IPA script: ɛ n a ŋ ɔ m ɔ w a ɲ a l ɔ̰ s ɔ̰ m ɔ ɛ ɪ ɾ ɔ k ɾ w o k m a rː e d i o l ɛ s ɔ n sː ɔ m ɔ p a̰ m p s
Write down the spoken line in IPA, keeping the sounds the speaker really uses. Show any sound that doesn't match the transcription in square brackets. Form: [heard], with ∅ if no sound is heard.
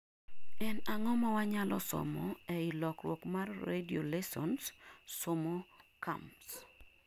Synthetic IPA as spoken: ɛ n a ŋ ɔ m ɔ w a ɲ a l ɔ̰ s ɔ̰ m ɔ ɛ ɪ [l] ɔ k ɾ w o k m a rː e d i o l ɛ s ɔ n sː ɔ m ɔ [k] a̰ m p s